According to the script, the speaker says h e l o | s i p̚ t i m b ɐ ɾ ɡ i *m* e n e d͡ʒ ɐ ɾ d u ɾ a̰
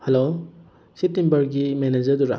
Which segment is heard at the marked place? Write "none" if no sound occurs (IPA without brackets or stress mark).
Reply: m